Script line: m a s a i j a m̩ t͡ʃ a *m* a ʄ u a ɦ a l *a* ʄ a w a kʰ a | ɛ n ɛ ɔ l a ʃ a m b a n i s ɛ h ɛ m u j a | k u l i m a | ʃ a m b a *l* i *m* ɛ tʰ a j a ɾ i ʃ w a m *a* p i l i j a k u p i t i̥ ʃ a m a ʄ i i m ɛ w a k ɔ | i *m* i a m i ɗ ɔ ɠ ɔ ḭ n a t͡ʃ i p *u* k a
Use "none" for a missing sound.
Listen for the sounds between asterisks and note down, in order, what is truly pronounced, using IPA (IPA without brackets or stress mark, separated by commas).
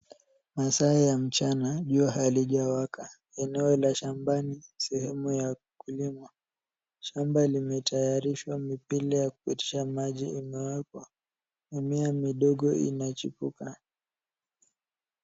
n, i, l, m, i, m, u